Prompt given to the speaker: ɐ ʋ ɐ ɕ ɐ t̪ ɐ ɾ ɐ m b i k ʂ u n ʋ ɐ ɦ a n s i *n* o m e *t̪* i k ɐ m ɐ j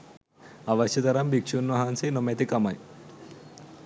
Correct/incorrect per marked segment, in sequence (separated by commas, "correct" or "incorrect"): correct, correct